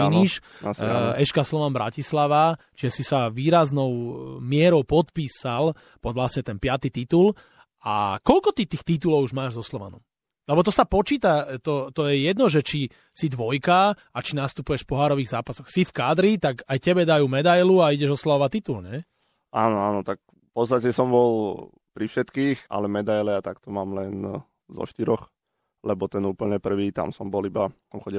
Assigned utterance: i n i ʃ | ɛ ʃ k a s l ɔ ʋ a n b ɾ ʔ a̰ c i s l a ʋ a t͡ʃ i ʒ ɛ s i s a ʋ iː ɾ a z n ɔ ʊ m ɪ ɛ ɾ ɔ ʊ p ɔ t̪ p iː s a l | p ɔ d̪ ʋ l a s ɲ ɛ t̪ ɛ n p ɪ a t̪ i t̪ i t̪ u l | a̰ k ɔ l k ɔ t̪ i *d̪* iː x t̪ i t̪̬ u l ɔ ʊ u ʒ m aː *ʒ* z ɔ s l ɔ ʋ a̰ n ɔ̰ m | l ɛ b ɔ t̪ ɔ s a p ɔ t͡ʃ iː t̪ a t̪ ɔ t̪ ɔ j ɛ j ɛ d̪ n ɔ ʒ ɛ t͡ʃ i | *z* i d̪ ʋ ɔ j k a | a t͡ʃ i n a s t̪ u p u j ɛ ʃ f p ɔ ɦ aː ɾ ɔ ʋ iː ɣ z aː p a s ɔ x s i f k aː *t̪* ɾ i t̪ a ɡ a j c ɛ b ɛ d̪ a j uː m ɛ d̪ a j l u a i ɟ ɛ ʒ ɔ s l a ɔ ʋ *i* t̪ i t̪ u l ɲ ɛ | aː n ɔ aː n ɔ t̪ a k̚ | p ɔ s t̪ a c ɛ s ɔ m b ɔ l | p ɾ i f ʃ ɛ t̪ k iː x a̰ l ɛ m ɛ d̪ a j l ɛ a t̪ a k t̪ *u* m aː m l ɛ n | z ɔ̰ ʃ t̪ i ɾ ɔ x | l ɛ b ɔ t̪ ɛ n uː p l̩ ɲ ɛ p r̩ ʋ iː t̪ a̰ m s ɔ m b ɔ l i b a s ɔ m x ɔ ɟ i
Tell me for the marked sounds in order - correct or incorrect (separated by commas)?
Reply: incorrect, correct, incorrect, incorrect, incorrect, incorrect